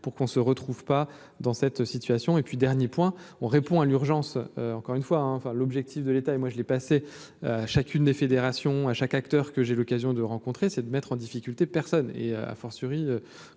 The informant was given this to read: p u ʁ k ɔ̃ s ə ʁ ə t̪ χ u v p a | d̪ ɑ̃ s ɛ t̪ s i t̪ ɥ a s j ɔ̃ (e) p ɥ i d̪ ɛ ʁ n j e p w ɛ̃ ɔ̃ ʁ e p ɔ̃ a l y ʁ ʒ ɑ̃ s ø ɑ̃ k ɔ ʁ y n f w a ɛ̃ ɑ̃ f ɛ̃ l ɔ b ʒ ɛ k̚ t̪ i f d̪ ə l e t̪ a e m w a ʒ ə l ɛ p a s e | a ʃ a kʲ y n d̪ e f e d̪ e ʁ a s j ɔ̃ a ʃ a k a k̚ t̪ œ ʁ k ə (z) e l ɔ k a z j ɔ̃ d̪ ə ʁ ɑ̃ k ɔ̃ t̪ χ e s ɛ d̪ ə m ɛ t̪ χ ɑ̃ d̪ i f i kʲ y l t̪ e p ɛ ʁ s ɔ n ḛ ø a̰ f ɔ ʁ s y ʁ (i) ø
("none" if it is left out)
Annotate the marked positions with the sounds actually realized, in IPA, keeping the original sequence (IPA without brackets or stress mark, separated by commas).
e, ʒ, i